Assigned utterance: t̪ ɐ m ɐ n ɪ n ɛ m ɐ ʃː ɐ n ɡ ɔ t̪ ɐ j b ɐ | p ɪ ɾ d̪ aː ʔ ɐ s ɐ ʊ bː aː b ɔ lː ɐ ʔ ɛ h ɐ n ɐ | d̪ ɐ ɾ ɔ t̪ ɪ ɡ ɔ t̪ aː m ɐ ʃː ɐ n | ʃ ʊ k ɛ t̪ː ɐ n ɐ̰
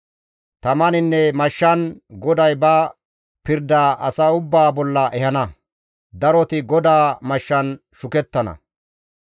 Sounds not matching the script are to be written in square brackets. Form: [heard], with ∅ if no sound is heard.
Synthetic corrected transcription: t̪ ɐ m ɐ n ɪ [nː] ɛ m ɐ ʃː ɐ n ɡ ɔ [d̪] ɐ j b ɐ | p ɪ ɾ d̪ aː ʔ ɐ s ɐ ʊ bː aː b ɔ lː ɐ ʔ ɛ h ɐ n ɐ | d̪ ɐ ɾ ɔ t̪ ɪ ɡ ɔ [d̪] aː m ɐ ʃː ɐ n | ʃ ʊ k ɛ t̪ː ɐ n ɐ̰